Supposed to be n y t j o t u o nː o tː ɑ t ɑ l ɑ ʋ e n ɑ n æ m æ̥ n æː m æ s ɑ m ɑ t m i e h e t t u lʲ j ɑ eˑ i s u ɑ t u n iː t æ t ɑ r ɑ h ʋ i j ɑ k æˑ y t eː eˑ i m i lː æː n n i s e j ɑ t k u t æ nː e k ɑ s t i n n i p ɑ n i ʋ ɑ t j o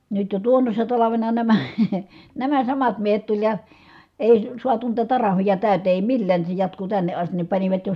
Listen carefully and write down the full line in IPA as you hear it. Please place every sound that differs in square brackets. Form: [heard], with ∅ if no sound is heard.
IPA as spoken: n y t j o t u o nː o [sː] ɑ t ɑ l ɑ ʋ e n ɑ n æ m æ̥ n [æ] m æ s ɑ m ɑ t m i e h e t t u lʲ j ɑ eˑ i s u ɑ t u n iː t æ t ɑ r ɑ h ʋ i j ɑ [t] æˑ y t eː eˑ i m i lː æː n n i s e j ɑ t k u t æ nː e [ʔ] ɑ s t i n n i p ɑ n i ʋ ɑ t j o